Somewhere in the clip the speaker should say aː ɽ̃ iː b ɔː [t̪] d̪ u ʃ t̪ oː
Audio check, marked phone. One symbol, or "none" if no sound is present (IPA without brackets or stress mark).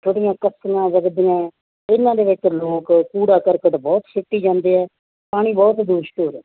t̪